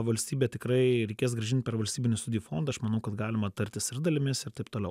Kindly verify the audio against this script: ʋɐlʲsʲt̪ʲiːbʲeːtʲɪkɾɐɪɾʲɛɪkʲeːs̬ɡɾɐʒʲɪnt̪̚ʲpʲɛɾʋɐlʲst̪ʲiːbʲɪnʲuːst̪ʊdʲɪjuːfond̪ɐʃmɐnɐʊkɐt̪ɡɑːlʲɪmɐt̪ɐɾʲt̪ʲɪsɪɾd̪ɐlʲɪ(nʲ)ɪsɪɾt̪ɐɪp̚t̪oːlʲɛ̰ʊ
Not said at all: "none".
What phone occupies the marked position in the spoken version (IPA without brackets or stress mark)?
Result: mʲ